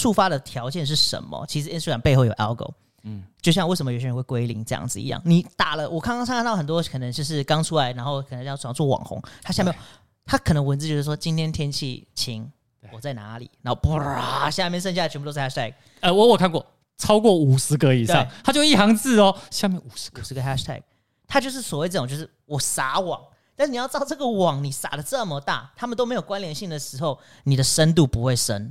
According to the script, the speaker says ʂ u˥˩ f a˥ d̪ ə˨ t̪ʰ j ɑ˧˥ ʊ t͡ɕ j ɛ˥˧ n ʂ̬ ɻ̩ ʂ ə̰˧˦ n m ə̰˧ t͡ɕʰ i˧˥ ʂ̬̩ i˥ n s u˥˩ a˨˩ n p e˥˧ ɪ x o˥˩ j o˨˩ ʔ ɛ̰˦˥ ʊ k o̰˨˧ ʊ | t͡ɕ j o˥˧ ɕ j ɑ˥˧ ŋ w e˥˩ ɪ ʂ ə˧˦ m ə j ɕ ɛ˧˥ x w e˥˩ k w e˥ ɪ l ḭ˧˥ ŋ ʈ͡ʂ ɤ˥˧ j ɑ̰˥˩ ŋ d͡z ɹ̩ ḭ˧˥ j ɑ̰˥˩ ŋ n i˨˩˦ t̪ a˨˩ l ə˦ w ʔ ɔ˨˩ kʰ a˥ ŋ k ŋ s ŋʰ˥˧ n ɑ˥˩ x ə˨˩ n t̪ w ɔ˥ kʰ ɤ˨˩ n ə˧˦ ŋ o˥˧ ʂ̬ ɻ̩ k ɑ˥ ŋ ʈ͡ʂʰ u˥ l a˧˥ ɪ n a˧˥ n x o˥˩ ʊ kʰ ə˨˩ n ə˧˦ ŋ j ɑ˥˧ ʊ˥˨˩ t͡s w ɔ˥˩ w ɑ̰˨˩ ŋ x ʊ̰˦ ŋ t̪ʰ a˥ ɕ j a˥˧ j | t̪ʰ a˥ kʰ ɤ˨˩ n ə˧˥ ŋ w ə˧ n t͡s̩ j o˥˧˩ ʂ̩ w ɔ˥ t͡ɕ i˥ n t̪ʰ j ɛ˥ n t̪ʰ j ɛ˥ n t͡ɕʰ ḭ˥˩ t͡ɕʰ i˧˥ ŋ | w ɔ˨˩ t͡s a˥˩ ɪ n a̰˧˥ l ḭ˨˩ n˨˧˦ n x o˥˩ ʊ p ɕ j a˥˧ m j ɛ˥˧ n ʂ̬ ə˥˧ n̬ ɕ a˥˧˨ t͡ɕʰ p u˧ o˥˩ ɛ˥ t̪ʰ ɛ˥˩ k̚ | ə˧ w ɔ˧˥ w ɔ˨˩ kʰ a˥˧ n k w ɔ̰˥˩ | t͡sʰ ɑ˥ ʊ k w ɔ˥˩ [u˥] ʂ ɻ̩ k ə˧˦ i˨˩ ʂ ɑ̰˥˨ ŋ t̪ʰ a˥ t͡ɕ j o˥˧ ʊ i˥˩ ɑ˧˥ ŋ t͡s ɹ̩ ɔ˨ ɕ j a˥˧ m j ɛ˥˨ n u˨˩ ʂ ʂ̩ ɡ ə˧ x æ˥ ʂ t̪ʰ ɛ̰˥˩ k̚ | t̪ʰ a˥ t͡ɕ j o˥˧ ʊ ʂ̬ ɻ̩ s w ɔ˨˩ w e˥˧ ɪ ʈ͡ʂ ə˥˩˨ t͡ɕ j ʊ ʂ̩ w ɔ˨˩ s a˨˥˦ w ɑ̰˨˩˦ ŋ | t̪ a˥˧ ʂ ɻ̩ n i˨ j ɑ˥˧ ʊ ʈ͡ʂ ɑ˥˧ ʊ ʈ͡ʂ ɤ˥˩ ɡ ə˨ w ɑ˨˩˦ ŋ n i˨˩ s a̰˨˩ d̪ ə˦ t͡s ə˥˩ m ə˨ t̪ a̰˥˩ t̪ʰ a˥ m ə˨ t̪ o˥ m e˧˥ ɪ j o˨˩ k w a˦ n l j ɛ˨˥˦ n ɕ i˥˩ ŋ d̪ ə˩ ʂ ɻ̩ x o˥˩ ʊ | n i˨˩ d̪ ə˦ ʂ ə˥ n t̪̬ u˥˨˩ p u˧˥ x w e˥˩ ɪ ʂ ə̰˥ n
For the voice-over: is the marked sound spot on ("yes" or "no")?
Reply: no